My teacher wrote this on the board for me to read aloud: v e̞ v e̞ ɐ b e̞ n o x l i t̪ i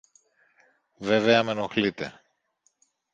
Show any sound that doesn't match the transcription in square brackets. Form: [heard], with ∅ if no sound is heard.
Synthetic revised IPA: v e̞ v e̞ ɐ [m] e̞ n o x l i t̪ [e]